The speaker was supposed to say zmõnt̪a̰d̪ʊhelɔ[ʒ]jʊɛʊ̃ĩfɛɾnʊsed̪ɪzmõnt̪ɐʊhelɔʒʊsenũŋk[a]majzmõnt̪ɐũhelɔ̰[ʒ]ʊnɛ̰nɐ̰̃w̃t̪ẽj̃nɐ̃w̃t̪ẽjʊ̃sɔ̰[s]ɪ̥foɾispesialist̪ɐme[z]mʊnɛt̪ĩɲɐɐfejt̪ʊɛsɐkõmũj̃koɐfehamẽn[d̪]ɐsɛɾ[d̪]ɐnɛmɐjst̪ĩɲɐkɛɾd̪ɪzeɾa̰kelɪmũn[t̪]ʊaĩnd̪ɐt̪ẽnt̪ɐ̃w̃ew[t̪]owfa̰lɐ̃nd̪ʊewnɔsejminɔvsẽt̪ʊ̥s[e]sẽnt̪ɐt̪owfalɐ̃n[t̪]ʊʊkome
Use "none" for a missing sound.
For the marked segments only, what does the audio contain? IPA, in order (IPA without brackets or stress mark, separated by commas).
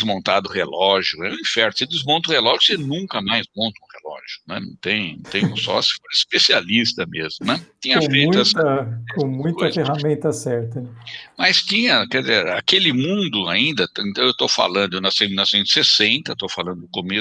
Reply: ʒ, ɐ, ʒ, s, z, t̪, t̪, d̪, t̪, e, d̪